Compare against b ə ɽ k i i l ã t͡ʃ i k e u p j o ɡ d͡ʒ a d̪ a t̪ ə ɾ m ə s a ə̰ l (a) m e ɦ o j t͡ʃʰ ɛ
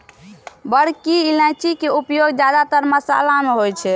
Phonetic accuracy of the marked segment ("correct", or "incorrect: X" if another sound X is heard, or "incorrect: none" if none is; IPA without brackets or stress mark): correct